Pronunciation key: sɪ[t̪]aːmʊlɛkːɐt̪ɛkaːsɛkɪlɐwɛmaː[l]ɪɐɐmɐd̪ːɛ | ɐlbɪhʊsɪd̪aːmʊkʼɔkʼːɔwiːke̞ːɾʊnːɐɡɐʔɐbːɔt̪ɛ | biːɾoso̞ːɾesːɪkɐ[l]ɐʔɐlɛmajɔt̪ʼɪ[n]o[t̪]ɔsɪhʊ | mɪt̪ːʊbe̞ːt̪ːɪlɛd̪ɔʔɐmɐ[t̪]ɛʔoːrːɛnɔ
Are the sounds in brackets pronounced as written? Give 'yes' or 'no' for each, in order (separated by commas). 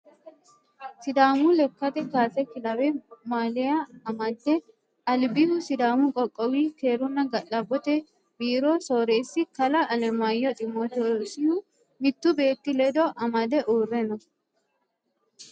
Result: no, yes, yes, no, yes, no